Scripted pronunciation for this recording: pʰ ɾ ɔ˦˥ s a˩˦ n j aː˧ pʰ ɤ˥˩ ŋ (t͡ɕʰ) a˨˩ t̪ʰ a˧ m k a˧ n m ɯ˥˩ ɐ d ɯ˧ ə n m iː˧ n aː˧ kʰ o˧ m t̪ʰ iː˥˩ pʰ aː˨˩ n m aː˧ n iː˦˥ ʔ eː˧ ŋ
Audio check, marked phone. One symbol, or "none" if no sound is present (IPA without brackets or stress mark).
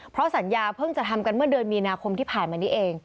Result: t͡ɕ